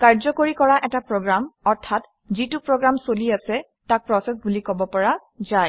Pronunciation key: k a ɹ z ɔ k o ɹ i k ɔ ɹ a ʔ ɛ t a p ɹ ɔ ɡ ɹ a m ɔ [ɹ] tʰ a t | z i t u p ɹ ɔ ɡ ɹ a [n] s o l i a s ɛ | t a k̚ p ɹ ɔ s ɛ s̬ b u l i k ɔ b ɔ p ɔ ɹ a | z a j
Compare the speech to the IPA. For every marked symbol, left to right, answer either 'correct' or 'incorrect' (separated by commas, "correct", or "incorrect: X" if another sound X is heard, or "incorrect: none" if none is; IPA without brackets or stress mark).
correct, incorrect: m